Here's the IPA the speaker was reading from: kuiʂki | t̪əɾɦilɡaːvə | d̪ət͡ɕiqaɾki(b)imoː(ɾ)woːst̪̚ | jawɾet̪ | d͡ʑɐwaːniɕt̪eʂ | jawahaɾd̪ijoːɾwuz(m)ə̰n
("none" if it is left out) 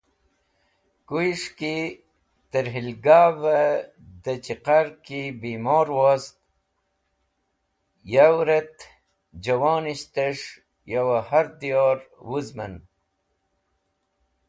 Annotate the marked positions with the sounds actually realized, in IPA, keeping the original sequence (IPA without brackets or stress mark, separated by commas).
b, ɾ, m